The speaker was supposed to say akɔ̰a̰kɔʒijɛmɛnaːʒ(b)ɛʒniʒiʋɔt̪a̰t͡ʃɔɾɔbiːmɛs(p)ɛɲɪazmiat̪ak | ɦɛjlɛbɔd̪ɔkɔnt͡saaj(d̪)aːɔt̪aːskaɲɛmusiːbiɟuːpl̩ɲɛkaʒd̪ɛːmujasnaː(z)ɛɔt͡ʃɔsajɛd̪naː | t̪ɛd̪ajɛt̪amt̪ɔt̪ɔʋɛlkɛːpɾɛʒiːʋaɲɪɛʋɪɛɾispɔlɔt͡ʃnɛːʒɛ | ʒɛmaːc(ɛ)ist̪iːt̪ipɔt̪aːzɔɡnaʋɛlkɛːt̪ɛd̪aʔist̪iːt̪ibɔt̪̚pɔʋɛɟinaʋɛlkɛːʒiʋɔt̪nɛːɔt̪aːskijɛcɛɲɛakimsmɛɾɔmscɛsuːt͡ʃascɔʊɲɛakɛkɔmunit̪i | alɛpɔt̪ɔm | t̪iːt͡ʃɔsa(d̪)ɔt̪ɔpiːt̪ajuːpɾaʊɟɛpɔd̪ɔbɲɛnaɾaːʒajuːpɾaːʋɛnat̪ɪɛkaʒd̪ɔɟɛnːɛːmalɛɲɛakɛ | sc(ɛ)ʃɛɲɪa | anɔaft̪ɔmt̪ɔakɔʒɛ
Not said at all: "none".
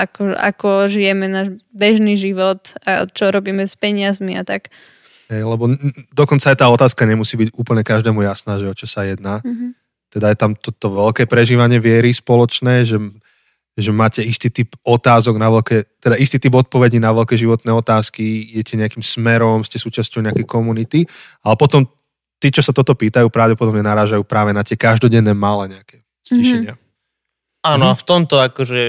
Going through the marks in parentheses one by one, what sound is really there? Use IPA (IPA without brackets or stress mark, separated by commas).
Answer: b, p, t̪, ʒ, ɛ, t̪, i